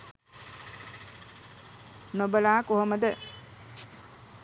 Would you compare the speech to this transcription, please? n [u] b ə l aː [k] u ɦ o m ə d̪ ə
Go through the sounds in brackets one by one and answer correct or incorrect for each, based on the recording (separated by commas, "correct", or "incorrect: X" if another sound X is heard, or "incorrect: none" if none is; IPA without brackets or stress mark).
incorrect: o, correct